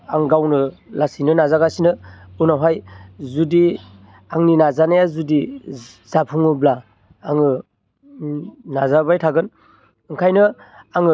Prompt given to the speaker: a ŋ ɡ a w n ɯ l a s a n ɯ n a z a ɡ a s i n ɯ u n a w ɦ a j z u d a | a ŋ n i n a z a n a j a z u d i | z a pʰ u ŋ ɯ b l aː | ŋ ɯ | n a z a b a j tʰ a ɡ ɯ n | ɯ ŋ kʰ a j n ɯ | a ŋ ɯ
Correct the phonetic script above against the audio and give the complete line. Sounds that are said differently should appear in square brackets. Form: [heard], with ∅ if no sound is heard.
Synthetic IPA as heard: a ŋ ɡ a w n ɯ l a s [i] n ɯ n a z a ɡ a s i n ɯ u n a w ɦ a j z u d [i] | a ŋ n i n a z a n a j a z u d i | z a pʰ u ŋ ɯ b l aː | ŋ ɯ | n a z a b a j tʰ a ɡ ɯ n | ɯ ŋ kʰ a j n ɯ | a ŋ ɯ